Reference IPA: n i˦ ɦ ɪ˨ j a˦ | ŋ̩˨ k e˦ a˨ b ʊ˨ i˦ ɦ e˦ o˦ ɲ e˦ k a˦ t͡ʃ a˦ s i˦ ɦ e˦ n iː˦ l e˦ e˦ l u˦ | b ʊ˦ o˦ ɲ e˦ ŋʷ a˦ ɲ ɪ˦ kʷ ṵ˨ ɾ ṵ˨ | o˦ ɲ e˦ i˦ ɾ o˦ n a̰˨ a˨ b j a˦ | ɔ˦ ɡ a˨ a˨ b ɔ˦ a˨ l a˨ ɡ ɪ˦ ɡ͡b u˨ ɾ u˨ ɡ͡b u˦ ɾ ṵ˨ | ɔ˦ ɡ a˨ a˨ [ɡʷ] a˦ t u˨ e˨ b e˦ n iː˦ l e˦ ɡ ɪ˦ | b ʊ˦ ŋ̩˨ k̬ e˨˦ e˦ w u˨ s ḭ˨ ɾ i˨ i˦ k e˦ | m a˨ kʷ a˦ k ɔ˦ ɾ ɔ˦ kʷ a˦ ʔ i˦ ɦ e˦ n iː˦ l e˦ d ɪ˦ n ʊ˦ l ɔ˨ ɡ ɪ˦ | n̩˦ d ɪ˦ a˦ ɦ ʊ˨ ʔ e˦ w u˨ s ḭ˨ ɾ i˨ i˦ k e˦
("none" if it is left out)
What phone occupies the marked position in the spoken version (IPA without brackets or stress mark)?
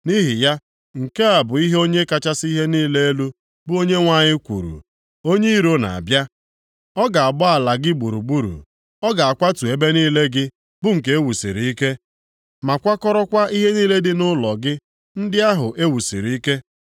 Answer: kʷ